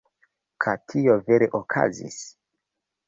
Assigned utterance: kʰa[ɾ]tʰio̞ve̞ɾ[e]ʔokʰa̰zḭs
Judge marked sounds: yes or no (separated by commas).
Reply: no, yes